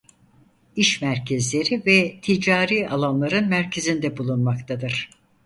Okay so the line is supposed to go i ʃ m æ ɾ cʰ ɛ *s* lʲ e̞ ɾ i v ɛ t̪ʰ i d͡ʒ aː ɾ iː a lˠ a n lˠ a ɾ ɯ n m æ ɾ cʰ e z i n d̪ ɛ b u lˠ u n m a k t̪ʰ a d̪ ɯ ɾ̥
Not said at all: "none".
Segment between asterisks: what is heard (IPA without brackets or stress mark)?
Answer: z